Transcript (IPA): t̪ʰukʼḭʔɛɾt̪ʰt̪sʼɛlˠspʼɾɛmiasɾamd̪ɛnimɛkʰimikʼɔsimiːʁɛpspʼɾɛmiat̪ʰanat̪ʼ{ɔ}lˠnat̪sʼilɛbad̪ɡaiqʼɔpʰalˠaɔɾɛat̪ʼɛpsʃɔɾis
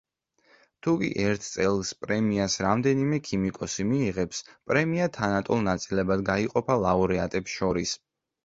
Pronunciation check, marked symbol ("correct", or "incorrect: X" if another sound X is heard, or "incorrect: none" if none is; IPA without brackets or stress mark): incorrect: u